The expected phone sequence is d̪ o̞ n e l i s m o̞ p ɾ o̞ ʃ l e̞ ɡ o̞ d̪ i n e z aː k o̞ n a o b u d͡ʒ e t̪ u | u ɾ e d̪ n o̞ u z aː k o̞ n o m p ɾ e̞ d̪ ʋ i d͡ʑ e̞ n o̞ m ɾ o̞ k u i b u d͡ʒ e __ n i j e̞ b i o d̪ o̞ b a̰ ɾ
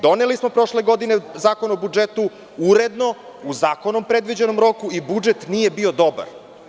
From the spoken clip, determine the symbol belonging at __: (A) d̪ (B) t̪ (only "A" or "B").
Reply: B